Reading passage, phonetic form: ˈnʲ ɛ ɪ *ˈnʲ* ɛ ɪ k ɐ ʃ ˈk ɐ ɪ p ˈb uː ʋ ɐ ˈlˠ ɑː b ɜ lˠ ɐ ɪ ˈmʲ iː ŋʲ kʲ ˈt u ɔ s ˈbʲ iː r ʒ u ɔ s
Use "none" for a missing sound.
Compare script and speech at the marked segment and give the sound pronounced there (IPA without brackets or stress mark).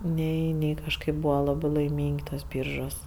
nʲ